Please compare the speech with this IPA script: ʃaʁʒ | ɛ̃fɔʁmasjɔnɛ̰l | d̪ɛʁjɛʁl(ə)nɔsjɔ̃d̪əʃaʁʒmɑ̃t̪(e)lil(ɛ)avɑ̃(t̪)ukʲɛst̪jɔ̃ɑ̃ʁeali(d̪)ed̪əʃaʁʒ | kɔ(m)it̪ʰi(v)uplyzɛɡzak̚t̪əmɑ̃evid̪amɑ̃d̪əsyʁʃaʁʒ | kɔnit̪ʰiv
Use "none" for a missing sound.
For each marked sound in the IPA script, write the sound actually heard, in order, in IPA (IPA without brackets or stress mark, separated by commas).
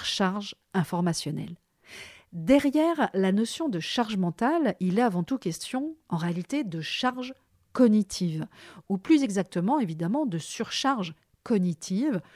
a, a, ɛ, t̪, t̪, n, v